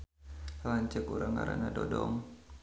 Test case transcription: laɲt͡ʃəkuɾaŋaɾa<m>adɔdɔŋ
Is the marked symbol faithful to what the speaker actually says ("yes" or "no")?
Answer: no